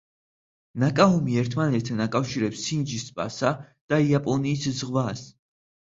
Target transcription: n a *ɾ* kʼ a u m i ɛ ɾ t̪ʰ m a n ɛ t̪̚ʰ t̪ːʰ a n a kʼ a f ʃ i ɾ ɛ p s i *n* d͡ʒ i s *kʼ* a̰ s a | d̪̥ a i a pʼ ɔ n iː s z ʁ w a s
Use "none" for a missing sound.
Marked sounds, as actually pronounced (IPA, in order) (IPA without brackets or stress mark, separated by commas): none, n, pʼ